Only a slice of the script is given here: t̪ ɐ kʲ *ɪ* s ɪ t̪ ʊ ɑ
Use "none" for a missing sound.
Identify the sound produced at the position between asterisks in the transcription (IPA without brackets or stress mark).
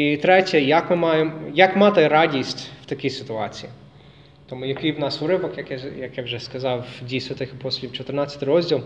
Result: i